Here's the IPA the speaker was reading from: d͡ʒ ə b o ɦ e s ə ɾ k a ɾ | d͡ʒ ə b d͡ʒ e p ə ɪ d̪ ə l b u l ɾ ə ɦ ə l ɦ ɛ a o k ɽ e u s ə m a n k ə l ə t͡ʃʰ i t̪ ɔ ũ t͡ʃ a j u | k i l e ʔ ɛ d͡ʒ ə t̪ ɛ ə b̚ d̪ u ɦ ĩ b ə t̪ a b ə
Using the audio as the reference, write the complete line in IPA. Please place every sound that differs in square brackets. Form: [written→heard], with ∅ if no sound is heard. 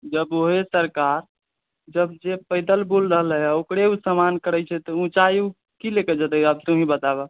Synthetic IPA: d͡ʒ ə b o ɦ e s ə ɾ k a ɾ | d͡ʒ ə b d͡ʒ e p ə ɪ d̪ ə l b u l ɾ ə ɦ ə l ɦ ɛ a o k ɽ e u s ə m a n k ə [l→ɾ] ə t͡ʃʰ [i→ɛ] t̪ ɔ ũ t͡ʃ a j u | k i l e [ʔ→k] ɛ d͡ʒ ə t̪ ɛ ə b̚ [d̪→t̪] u ɦ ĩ b ə t̪ a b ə

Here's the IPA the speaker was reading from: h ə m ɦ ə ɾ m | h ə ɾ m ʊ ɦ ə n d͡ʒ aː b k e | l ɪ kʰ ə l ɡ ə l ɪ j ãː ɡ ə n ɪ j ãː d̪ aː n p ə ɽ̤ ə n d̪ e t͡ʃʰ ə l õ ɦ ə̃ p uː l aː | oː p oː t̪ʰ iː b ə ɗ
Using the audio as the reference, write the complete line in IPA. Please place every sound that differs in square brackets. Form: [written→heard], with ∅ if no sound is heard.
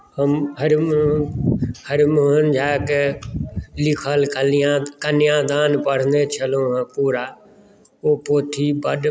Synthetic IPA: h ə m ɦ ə ɾ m | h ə ɾ m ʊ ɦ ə n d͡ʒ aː [b→∅] k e | l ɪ kʰ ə l [ɡ→k] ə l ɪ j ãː [ɡ→k] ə n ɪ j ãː d̪ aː n p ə ɽ̤ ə n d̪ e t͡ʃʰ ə l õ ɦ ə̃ p uː [l→ɾ] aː | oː p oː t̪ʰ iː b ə ɗ

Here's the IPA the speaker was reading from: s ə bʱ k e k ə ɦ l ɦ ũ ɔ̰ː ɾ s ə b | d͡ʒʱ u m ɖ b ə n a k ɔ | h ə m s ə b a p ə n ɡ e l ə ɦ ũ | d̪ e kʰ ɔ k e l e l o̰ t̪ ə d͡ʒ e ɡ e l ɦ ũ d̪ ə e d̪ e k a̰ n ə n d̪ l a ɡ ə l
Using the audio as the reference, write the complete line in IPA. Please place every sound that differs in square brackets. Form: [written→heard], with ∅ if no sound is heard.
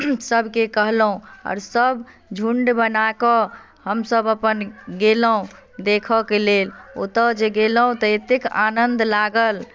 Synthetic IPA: s ə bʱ k e k ə ɦ l ɦ ũ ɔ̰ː ɾ s ə b | d͡ʒʱ u [m→ɳ] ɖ b ə n a k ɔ | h ə m s ə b [a→ə] p ə n ɡ e l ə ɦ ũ | d̪ e kʰ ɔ k e l e l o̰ t̪ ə d͡ʒ e ɡ e l ɦ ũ [d̪→t̪] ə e [d̪→t̪] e k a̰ n ə n d̪ l a ɡ ə l

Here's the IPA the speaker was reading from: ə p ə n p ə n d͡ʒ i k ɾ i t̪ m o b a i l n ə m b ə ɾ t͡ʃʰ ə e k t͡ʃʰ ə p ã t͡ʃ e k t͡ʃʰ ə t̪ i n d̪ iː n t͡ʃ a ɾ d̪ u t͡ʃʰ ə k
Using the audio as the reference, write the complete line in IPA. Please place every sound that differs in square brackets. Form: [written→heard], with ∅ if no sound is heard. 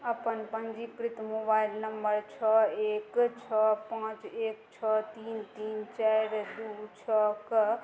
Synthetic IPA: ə p ə n p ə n d͡ʒ i k ɾ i t̪ m o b a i l n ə m b ə ɾ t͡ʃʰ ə e k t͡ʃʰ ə p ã t͡ʃ e k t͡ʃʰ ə t̪ i n [d̪→t̪] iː n t͡ʃ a ɾ d̪ u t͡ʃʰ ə k

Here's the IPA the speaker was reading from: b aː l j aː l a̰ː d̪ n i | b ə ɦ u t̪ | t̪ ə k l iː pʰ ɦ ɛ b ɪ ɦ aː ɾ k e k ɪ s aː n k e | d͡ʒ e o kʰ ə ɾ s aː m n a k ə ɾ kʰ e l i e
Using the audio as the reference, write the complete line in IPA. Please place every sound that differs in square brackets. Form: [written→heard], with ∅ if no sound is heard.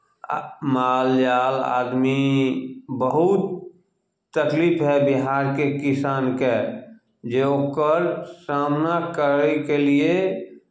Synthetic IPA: [b→m] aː l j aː l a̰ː d̪ [n→m] i | b ə ɦ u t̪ | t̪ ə k l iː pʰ ɦ ɛ b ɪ ɦ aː ɾ k e k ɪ s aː n k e | d͡ʒ e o [kʰ→k] ə ɾ s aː m n a k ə ɾ [kʰ→k] e l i e

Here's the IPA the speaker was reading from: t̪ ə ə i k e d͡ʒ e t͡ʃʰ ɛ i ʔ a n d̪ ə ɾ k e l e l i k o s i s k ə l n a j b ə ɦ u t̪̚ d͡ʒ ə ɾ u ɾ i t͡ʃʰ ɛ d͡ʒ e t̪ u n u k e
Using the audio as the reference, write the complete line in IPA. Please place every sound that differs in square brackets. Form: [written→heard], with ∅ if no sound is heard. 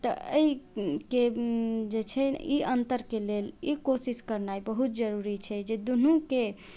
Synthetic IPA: t̪ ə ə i k e d͡ʒ e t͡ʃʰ ɛ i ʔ [a→ə] n [d̪→t̪] ə ɾ k e l e l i k o s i s k ə [l→ɾ] n a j b ə ɦ u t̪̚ d͡ʒ ə ɾ u ɾ i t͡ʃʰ ɛ d͡ʒ e [t̪→d̪] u n u k e

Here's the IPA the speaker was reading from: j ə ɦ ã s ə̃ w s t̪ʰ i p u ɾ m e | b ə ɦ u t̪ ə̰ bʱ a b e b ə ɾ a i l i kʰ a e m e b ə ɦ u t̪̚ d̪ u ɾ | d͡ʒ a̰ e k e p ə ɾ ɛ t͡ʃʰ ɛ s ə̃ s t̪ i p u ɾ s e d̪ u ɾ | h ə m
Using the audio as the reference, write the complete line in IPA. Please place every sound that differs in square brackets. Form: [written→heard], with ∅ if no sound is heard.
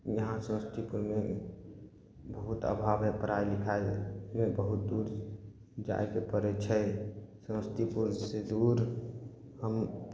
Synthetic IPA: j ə ɦ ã s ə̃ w s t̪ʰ i p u ɾ m e | b ə ɦ u t̪ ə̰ bʱ a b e [b→p] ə ɾ a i l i kʰ a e m e b ə ɦ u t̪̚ d̪ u ɾ | d͡ʒ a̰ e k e p ə ɾ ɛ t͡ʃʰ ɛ s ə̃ s t̪ i p u ɾ s e d̪ u ɾ | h ə m

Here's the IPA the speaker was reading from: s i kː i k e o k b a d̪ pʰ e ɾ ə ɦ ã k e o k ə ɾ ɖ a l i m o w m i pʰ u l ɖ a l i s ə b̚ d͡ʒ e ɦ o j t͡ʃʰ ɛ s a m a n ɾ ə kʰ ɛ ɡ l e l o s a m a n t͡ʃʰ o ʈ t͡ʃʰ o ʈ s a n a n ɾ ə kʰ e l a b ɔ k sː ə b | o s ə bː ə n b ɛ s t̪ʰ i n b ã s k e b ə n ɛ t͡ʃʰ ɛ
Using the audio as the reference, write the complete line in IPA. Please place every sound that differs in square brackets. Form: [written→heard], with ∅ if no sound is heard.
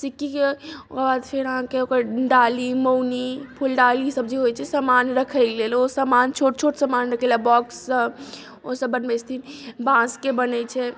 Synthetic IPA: s i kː i k e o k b a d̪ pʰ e ɾ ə ɦ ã k e o k ə ɾ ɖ a l i m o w [m→n] i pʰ u l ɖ a l i s ə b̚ d͡ʒ e ɦ o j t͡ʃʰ ɛ s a m a n ɾ ə kʰ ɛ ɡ l e l o s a m a n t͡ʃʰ o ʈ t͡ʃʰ o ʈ s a [n→m] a n ɾ ə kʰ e l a b ɔ k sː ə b | o s ə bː ə n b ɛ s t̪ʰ i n b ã s k e b ə n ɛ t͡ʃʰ ɛ

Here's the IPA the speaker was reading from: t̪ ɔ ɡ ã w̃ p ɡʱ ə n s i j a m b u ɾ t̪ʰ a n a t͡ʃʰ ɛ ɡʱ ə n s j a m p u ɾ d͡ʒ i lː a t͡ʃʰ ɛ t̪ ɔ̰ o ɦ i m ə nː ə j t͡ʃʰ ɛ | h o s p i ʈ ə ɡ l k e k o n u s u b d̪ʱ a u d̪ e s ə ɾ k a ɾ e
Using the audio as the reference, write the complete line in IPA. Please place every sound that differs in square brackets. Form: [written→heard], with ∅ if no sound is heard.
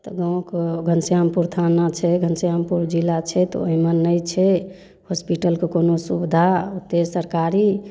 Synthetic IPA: t̪ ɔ ɡ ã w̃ [p→k] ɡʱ ə n s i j a m [b→p] u ɾ t̪ʰ a n a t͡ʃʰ ɛ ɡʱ ə n s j a m p u ɾ d͡ʒ i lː a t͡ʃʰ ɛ t̪ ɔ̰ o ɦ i m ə nː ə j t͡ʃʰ ɛ | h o s p i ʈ ə [ɡ→∅] l k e k o n [u→o] s u b d̪ʱ a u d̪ e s ə ɾ k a ɾ [e→i]

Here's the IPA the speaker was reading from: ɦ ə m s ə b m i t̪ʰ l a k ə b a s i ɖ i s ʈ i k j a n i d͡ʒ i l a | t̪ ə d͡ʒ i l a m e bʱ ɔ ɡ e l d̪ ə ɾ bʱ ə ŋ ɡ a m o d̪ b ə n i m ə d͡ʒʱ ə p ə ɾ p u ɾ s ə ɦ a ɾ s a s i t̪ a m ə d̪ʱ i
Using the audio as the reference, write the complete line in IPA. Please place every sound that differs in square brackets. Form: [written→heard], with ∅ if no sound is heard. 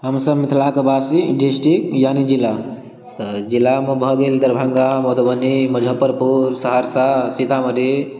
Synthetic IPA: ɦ ə m s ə b m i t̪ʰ l a k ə b a s i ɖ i s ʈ i k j a n i d͡ʒ i l a | t̪ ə d͡ʒ i l a m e bʱ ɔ ɡ e l d̪ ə ɾ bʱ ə ŋ ɡ a m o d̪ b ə n i m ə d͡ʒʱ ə p ə ɾ p u ɾ s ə ɦ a ɾ s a s i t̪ a m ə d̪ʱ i

